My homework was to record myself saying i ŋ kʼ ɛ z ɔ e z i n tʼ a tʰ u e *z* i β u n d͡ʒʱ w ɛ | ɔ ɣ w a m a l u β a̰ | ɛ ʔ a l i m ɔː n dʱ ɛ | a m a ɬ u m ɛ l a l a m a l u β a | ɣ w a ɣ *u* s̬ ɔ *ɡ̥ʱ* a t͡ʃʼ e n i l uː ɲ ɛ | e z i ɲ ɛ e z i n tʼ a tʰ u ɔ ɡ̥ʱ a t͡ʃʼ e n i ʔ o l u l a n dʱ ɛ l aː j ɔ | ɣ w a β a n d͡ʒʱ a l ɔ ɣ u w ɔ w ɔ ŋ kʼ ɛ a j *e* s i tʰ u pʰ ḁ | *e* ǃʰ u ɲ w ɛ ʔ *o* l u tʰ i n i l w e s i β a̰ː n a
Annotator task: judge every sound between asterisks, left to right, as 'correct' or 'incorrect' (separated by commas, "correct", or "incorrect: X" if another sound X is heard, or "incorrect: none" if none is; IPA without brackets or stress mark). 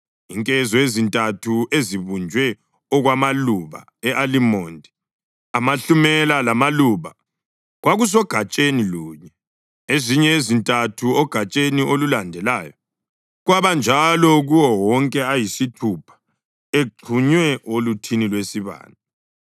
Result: correct, correct, correct, incorrect: i, correct, correct